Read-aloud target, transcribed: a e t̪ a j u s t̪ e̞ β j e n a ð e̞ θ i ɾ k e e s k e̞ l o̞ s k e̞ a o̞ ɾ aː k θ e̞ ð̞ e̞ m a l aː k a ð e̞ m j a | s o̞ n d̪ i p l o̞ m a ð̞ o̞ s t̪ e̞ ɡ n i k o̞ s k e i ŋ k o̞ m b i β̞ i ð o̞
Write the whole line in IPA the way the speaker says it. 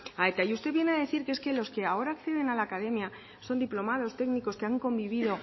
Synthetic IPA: a e t̪ a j u s t̪ e̞ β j e n a ð e̞ θ i ɾ k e e s k e̞ l o̞ s k e̞ a o̞ ɾ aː k θ e̞ ð̞ e̞ n a l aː k a ð e̞ m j a | s o̞ n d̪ i p l o̞ m a ð̞ o̞ s t̪ e̞ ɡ n i k o̞ s k e a ŋ k o̞ m b i β̞ i ð o̞